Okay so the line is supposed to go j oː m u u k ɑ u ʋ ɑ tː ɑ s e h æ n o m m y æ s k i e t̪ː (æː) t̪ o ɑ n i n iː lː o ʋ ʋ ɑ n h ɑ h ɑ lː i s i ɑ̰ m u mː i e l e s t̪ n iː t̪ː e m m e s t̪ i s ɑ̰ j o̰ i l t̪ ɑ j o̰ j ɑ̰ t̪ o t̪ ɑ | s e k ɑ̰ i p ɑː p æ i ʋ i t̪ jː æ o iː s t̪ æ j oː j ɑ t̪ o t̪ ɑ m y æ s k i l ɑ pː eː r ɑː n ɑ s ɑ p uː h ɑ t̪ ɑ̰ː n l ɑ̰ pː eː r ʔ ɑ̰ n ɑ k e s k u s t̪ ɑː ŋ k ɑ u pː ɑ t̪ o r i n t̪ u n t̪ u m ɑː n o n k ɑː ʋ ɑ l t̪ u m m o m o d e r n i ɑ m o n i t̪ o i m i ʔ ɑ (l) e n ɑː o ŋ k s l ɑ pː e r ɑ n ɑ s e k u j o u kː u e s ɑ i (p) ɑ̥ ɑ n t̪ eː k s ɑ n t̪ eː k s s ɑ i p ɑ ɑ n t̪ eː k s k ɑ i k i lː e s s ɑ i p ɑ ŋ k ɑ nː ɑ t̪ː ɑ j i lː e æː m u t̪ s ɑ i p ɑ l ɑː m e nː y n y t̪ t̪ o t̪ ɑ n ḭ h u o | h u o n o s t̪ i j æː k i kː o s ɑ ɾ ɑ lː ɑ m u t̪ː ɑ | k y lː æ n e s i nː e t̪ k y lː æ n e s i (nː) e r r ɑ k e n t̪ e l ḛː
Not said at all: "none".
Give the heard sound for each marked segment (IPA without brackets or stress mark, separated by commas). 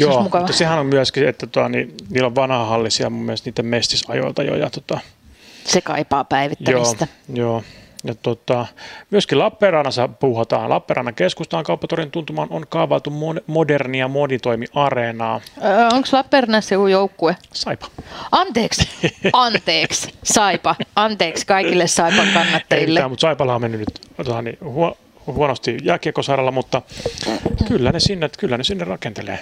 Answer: æ, r, p, nː